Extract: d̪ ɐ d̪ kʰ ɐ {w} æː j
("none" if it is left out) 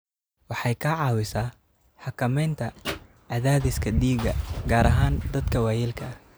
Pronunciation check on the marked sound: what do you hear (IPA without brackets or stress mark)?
w